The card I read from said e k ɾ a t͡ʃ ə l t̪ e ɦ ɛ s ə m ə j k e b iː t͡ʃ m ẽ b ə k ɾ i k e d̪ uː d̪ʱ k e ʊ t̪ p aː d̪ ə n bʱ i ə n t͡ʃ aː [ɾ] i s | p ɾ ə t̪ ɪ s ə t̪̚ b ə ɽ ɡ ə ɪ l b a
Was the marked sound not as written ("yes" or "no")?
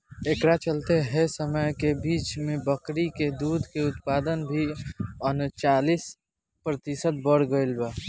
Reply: yes